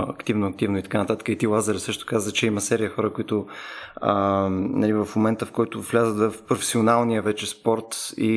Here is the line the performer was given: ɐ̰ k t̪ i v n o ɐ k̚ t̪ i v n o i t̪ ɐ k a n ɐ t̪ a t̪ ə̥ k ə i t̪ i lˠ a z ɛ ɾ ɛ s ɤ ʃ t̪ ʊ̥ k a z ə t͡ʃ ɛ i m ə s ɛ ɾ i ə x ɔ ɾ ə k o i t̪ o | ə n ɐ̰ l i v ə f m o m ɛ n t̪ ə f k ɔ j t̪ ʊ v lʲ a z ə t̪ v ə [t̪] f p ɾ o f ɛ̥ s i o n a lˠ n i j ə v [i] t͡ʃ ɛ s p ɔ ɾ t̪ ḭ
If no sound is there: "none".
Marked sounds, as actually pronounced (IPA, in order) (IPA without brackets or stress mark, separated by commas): none, ɛ